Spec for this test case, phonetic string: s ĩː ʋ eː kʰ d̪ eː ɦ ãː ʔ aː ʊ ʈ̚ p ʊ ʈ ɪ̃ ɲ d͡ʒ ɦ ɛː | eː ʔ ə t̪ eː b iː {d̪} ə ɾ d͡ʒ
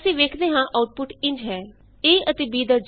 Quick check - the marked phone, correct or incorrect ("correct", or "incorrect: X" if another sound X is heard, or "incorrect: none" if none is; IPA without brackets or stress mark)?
correct